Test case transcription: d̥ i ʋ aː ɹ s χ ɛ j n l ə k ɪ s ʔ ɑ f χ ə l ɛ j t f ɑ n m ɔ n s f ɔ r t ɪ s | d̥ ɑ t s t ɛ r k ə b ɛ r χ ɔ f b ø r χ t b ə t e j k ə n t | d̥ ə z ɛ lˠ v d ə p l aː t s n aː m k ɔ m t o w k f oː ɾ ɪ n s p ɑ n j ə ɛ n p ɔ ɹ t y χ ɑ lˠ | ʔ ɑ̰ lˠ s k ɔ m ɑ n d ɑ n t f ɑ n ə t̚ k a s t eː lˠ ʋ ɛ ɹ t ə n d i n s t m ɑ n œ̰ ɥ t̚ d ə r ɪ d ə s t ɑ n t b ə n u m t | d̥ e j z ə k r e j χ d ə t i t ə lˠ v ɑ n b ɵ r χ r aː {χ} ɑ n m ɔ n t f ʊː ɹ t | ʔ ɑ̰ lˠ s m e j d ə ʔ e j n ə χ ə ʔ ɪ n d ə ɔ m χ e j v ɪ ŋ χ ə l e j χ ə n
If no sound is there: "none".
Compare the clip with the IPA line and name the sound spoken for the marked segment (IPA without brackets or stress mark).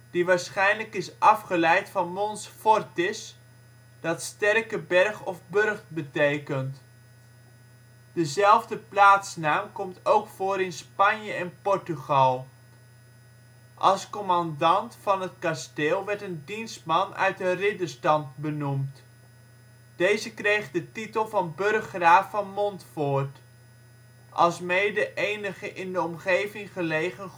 f